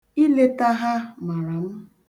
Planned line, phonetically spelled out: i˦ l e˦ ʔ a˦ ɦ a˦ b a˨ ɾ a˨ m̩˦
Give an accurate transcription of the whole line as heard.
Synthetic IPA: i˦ l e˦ t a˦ ɦ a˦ m a˨ ɾ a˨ m̩˦